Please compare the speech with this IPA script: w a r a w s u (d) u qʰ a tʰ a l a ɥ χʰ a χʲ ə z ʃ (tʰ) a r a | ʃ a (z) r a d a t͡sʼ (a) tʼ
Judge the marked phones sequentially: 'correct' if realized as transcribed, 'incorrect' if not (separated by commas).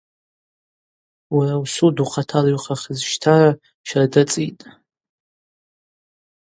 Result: correct, correct, incorrect, incorrect